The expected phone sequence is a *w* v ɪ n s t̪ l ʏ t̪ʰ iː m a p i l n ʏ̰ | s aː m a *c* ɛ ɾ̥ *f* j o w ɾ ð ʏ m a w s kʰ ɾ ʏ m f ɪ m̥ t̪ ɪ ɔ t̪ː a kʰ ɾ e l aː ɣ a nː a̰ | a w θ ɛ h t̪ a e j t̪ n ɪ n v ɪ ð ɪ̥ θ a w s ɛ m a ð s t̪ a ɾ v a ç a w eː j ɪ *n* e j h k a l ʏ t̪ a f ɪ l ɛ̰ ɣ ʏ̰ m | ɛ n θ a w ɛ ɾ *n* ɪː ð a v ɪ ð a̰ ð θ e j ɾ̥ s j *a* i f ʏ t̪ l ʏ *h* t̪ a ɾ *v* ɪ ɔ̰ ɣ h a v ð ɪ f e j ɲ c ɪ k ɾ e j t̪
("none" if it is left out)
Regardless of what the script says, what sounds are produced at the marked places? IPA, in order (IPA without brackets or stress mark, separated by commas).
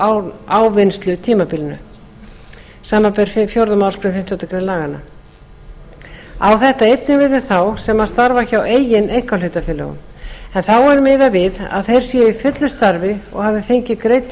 w, p, f, n, m, ɛ, s, v